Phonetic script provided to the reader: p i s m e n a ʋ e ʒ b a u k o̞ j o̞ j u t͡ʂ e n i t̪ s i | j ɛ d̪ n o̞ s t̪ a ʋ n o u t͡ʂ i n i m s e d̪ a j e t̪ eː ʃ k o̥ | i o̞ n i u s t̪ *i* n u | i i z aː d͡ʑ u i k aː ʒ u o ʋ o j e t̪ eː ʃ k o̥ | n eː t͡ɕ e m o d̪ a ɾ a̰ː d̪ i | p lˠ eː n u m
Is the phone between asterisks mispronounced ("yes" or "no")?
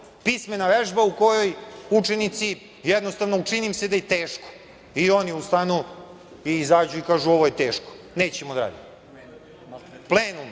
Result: yes